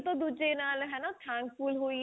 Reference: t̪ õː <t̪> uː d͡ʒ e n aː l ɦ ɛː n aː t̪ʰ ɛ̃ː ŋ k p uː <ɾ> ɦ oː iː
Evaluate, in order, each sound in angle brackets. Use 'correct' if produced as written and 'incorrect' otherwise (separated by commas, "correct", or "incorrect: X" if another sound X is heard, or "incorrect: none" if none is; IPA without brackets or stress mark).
incorrect: d̪, incorrect: l